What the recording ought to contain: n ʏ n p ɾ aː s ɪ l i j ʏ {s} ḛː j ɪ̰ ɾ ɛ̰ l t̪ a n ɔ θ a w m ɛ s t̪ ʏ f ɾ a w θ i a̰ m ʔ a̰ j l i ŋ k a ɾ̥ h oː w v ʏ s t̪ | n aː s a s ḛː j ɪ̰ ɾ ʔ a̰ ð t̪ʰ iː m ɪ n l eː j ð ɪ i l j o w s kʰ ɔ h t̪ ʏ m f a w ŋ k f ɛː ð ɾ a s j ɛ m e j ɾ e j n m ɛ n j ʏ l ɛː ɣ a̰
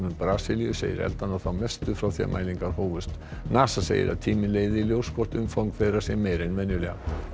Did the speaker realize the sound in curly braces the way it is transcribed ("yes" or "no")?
yes